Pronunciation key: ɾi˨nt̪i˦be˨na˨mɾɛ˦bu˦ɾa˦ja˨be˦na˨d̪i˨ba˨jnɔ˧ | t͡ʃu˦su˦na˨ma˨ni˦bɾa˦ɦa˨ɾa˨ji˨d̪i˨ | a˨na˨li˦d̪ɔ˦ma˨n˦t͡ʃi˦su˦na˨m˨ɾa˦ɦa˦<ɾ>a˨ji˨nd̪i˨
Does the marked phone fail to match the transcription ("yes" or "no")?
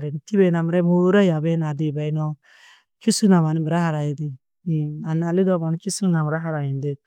no